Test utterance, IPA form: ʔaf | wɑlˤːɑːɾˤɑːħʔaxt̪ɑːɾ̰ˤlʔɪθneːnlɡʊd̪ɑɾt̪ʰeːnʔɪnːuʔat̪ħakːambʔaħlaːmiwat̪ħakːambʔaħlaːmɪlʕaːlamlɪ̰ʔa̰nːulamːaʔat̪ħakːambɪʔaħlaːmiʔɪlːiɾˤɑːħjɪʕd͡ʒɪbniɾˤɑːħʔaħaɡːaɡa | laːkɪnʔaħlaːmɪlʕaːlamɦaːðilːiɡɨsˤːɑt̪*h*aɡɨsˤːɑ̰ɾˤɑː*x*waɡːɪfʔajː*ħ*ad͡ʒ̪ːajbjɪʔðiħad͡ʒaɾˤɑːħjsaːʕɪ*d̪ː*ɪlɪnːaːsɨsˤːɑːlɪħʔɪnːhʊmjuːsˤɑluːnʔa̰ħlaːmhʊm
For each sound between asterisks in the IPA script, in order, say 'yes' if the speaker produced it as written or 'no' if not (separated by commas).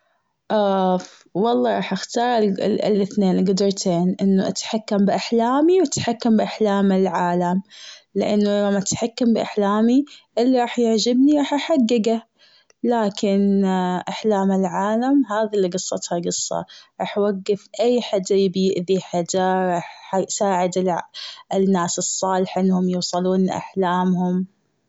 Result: yes, no, yes, no